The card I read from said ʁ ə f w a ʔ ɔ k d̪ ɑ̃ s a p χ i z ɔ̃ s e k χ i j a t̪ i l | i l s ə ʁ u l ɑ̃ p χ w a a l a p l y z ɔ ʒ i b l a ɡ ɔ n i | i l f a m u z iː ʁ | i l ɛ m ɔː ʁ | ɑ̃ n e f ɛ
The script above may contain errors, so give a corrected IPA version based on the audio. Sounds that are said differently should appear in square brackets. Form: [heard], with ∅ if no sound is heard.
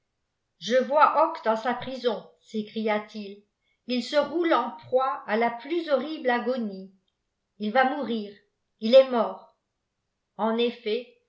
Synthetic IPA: [ʒ] ə [v] w a ʔ ɔ k d̪ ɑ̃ s a p χ i z ɔ̃ s e k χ i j a t̪ i l | i l s ə ʁ u l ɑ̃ p χ w a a l a p l y z ɔ [ʁ] i b l a ɡ ɔ n i | i l [v] a m u [ʁ] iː ʁ | i l ɛ m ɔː ʁ | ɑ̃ n e f ɛ